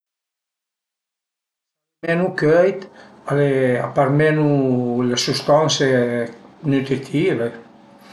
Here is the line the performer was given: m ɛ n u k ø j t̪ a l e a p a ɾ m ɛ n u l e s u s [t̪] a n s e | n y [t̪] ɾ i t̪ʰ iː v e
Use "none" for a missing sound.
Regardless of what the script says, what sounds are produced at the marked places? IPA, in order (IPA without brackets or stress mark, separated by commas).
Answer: t̪, t̪